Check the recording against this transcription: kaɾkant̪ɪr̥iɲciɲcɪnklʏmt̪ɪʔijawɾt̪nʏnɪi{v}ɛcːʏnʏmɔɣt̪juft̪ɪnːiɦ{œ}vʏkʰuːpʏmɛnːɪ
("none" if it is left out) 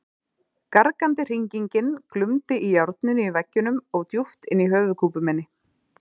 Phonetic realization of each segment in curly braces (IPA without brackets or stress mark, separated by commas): v, œː